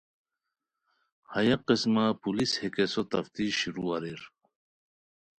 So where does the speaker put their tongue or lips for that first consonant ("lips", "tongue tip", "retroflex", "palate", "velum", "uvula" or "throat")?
throat